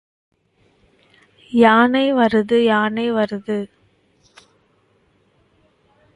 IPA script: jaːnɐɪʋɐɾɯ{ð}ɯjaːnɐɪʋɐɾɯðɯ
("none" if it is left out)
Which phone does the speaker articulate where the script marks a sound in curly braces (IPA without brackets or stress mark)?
ð